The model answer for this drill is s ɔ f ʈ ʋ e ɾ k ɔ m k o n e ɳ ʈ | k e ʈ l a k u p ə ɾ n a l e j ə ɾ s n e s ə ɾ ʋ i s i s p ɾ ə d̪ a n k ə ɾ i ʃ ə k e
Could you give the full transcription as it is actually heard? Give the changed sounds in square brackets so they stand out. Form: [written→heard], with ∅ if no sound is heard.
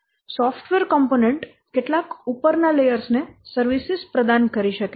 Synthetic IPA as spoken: s ɔ f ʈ ʋ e ɾ k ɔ m [k→p] o n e ɳ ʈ | k e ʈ l a k u p ə ɾ n a l e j ə ɾ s n e s ə ɾ ʋ i s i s p ɾ ə d̪ a n k ə ɾ i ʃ ə k e